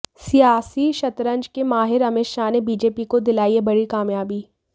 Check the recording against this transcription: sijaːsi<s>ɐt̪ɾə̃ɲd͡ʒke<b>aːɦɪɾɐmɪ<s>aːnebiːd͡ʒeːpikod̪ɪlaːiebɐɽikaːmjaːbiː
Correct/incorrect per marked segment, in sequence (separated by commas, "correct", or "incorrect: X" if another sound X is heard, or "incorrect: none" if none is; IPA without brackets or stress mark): incorrect: ʃ, incorrect: m, incorrect: ʃ